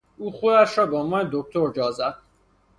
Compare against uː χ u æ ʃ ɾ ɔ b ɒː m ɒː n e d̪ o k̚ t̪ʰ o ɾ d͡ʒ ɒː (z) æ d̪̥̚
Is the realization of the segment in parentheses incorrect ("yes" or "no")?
no